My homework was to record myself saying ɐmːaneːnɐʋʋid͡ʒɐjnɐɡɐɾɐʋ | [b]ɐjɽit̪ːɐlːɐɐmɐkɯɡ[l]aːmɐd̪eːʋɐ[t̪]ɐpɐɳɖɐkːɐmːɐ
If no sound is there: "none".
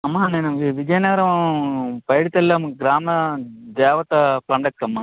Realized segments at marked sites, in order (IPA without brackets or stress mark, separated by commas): p, ɾ, t̪